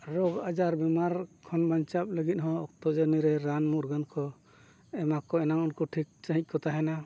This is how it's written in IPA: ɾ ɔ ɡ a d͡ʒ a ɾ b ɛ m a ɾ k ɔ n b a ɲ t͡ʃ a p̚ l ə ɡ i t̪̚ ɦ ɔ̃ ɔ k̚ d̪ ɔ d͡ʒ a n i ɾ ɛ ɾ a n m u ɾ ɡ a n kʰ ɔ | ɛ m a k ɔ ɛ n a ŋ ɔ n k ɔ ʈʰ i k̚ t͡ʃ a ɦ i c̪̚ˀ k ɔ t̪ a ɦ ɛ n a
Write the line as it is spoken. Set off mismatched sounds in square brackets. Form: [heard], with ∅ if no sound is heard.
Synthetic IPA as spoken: ɾ ɔ ɡ a d͡ʒ a ɾ b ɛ m a ɾ [kʰ] ɔ n b a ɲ t͡ʃ a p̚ l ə ɡ i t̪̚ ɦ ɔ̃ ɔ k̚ [t̪] ɔ d͡ʒ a n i ɾ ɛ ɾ a n m u ɾ ɡ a n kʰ ɔ | ɛ m a k ɔ ɛ n a ŋ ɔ n k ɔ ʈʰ i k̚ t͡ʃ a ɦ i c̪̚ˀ k ɔ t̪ a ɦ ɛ n a